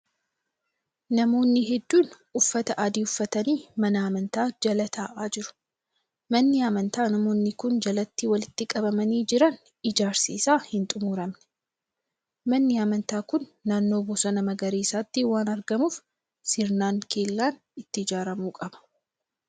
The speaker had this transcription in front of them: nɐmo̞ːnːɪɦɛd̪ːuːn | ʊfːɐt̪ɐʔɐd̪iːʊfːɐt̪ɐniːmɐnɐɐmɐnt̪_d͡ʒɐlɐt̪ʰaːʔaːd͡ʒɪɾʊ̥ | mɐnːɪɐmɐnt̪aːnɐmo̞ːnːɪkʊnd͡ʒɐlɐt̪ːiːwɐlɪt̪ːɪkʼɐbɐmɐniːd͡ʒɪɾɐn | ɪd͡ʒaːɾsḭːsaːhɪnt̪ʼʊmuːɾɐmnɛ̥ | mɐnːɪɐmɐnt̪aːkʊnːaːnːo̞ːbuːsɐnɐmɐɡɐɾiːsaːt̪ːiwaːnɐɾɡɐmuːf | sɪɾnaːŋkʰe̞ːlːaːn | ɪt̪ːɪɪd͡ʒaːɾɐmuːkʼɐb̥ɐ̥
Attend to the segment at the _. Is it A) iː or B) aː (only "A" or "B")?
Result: B